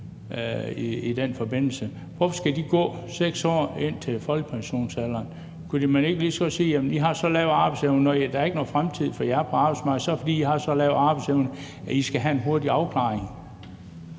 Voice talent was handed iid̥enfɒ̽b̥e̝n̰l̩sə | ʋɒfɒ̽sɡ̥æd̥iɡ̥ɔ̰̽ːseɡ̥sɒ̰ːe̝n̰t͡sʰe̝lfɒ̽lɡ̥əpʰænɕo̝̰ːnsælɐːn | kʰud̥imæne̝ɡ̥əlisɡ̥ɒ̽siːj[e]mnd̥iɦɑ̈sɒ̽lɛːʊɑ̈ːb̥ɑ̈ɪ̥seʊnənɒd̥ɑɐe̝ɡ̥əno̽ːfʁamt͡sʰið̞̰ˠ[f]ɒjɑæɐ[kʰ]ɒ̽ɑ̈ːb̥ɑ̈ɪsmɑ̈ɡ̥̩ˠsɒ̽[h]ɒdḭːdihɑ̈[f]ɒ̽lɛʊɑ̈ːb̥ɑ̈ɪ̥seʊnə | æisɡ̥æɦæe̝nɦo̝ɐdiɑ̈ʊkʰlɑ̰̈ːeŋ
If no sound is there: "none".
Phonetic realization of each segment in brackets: æ, f, pʰ, f, s

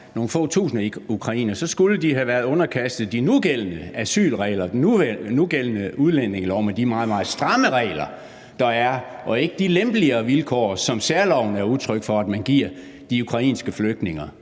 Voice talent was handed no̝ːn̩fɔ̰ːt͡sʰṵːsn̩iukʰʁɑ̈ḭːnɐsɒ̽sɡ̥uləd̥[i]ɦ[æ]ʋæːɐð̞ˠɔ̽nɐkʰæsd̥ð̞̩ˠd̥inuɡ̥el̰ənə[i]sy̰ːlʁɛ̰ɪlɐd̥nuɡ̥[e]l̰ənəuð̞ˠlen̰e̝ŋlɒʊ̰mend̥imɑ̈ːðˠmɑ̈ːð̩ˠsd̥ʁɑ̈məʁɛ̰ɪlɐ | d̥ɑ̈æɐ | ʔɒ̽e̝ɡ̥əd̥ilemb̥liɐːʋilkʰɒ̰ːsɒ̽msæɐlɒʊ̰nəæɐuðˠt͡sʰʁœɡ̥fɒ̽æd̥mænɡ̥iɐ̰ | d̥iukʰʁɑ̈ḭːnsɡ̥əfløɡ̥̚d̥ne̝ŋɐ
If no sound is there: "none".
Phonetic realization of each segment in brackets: i, æ, æ, e

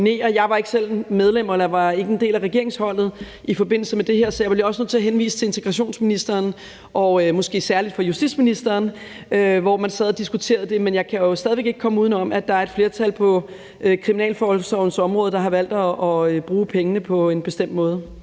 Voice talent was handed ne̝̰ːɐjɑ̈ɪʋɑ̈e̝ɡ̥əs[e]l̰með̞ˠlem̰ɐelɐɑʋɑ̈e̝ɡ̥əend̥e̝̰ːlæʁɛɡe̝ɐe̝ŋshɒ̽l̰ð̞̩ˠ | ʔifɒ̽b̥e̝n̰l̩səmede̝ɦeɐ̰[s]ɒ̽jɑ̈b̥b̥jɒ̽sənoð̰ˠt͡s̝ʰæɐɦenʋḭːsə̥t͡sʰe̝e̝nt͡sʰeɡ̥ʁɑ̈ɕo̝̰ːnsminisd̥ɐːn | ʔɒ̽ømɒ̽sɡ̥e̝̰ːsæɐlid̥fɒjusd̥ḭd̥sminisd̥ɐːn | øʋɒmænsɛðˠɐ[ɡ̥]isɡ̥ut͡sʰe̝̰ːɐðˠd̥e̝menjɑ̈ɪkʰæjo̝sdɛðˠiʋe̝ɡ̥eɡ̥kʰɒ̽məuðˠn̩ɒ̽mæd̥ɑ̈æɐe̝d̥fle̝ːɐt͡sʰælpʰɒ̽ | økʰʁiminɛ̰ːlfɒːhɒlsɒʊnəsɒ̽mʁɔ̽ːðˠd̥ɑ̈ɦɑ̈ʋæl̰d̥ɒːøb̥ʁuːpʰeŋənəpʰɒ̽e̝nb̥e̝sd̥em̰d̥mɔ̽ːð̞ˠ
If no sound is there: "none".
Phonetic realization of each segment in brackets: e, s, d̥

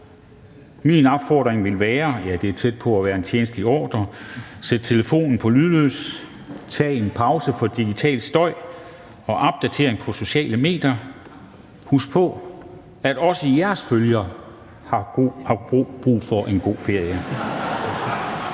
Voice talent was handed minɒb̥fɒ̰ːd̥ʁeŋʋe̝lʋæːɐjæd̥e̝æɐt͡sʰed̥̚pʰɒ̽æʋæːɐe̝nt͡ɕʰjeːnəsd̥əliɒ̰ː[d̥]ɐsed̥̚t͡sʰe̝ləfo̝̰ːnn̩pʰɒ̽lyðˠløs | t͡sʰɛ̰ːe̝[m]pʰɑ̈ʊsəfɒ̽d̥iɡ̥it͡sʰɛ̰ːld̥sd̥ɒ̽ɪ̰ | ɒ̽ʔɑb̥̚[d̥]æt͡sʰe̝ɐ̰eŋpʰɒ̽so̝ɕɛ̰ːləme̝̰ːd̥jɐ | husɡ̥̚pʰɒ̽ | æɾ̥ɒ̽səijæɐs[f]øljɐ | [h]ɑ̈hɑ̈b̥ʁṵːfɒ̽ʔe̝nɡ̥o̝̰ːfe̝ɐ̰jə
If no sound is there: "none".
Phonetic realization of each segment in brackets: d̥, n, d̥, f, h

